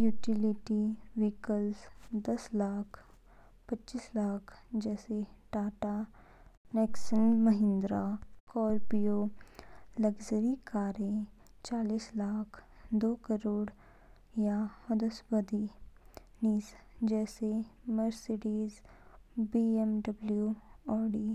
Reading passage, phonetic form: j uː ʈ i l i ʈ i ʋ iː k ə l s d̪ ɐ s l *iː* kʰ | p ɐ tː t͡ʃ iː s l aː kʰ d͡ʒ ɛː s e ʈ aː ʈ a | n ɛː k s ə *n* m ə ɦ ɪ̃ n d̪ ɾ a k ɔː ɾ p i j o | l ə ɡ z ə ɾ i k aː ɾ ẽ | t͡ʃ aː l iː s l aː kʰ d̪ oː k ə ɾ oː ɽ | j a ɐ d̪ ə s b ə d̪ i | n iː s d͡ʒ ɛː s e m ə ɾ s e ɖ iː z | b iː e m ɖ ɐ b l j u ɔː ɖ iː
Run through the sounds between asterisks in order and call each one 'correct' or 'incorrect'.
incorrect, correct

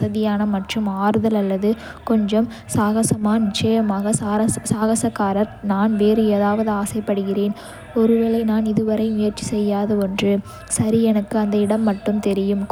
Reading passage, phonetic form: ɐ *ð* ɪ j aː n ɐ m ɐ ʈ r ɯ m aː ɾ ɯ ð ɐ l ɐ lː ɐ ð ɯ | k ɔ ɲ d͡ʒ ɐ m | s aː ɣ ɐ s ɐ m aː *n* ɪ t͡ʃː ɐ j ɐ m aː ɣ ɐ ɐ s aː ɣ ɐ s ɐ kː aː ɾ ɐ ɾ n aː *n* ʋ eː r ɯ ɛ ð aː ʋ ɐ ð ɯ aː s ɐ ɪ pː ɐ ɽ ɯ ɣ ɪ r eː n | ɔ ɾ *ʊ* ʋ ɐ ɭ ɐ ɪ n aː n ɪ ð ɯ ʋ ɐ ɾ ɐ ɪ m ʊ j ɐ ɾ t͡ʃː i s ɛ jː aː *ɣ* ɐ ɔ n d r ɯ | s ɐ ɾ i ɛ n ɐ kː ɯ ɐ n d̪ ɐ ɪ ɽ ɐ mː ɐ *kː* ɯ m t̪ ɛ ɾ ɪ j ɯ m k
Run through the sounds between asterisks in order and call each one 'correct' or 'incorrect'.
correct, correct, correct, incorrect, incorrect, incorrect

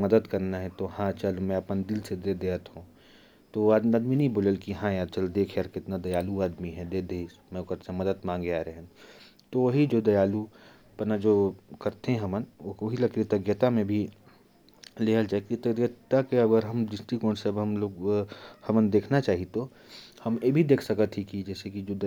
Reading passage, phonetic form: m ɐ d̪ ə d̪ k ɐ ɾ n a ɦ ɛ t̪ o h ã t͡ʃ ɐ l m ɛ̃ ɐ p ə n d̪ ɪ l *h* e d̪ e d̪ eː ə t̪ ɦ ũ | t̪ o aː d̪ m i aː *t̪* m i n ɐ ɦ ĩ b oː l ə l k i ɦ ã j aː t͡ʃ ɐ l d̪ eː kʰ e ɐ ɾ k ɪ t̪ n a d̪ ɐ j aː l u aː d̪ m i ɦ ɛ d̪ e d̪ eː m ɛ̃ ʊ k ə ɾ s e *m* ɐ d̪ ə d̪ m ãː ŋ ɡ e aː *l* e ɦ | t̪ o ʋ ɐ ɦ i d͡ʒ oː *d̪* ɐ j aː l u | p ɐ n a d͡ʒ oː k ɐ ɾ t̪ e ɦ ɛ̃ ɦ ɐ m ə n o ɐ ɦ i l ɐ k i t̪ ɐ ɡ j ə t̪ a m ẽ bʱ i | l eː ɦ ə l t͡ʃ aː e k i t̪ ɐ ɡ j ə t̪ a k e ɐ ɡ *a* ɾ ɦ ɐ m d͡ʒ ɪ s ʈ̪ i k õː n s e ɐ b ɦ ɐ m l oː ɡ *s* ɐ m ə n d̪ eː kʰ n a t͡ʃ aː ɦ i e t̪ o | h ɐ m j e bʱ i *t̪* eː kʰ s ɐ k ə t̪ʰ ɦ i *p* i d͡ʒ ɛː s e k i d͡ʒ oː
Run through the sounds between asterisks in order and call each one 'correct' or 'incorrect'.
incorrect, incorrect, correct, incorrect, correct, incorrect, incorrect, incorrect, incorrect

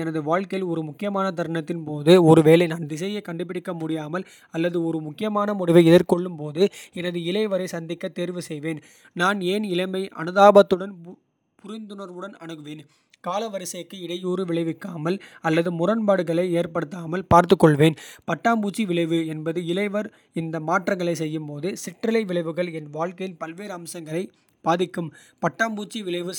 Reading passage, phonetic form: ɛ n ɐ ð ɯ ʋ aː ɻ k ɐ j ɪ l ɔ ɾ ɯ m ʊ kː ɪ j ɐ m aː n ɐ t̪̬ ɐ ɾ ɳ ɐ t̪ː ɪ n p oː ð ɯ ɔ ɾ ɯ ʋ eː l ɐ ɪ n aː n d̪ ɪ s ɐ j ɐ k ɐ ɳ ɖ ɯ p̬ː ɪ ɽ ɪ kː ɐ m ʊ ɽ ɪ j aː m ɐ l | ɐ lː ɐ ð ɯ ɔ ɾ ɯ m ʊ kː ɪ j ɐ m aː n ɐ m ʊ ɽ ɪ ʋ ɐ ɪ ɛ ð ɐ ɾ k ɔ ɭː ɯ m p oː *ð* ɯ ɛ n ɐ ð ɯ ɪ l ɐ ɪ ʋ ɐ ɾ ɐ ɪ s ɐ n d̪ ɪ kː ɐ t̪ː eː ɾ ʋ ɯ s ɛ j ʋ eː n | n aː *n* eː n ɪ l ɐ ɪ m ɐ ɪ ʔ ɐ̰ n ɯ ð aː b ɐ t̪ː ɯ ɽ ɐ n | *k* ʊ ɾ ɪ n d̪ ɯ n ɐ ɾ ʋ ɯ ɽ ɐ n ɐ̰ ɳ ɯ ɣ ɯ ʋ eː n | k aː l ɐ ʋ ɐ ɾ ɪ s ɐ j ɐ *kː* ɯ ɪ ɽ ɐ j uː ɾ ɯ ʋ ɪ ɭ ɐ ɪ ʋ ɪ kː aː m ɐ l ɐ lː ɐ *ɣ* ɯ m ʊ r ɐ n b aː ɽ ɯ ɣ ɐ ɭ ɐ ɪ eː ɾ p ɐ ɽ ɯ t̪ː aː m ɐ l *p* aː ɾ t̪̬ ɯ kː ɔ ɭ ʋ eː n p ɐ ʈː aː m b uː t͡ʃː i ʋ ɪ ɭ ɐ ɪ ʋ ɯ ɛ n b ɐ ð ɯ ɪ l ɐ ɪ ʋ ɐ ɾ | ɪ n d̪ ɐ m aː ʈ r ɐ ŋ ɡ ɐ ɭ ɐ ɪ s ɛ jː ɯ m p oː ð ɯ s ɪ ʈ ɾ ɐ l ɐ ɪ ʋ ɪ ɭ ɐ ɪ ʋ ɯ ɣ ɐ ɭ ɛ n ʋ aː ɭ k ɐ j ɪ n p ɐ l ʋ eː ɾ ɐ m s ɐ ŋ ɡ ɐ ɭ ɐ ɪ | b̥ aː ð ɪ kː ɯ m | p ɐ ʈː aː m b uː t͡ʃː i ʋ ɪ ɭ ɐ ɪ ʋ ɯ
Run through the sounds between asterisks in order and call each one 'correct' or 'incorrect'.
correct, correct, incorrect, correct, incorrect, correct

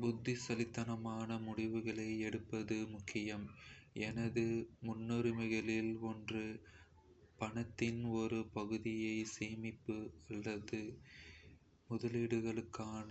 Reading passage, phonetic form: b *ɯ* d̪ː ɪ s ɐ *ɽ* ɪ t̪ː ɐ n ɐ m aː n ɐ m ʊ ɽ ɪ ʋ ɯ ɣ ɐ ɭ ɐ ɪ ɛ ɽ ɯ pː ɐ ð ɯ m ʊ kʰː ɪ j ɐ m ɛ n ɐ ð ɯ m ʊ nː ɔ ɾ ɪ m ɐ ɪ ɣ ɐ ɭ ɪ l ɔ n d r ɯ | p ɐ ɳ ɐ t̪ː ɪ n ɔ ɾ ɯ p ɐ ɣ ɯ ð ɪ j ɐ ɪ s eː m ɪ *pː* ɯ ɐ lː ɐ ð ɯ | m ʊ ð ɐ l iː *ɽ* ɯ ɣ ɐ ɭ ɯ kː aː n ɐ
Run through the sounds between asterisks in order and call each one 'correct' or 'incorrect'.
incorrect, incorrect, correct, correct

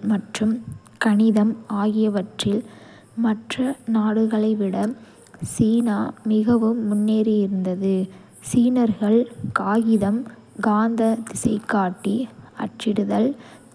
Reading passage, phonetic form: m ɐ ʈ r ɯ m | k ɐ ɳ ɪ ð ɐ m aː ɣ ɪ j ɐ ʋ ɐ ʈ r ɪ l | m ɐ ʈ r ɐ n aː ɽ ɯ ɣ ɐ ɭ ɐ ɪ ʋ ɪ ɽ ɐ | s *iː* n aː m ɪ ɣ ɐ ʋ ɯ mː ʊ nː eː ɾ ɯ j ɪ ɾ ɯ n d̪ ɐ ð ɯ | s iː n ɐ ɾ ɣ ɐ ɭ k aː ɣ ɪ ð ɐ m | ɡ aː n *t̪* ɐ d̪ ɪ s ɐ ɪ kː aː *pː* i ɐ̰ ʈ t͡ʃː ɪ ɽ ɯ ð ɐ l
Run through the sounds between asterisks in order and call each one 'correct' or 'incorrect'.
correct, incorrect, incorrect

